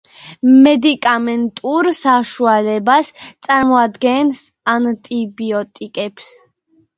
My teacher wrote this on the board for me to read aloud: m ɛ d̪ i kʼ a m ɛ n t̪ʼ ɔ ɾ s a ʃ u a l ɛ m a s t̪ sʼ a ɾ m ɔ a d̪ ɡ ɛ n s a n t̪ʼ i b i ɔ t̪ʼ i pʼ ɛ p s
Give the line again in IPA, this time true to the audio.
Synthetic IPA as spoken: m ɛ d̪ i kʼ a m ɛ n t̪ʼ u ɾ s a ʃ u a l ɛ b a s t̪ sʼ a ɾ m ɔ a d̪ ɡ ɛ n s a n t̪ʼ i b i ɔ t̪ʼ i kʼ ɛ p s